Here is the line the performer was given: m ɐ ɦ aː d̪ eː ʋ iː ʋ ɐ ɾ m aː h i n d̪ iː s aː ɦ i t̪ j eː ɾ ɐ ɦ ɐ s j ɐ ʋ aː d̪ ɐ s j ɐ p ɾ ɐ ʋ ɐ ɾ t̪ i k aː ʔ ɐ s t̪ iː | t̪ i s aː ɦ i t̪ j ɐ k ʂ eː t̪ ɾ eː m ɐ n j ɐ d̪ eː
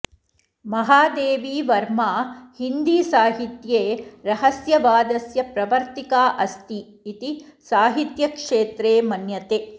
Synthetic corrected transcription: m ɐ ɦ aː d̪ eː ʋ iː ʋ ɐ ɾ m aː h i n d̪ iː s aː ɦ i t̪ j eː ɾ ɐ ɦ ɐ s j ɐ ʋ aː d̪ ɐ s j ɐ p ɾ ɐ ʋ ɐ ɾ t̪ i k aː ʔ ɐ s t̪ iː | t̪ i s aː ɦ i t̪ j ɐ k ʂ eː t̪ ɾ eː m ɐ n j ɐ t̪ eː